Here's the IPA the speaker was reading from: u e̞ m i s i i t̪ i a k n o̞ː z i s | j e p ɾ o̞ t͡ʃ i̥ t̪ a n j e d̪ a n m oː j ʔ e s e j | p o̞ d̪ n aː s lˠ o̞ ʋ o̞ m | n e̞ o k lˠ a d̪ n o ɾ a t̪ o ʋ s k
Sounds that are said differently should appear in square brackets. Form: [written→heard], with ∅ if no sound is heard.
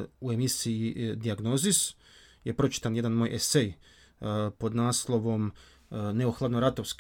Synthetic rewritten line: u e̞ m i s i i [t̪→d̪] i a [k→ɡ] n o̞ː z i s | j e p ɾ o̞ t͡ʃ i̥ t̪ a n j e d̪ a n m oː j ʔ e s e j | p o̞ d̪ n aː s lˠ o̞ ʋ o̞ m | n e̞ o [k→x] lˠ a d̪ n o ɾ a t̪ o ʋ s k